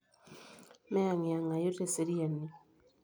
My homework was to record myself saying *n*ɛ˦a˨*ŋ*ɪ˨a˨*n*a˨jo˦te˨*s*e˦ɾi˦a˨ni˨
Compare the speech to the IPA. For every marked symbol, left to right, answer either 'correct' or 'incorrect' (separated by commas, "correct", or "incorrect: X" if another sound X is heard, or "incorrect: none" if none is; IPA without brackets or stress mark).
incorrect: m, correct, incorrect: ŋ, correct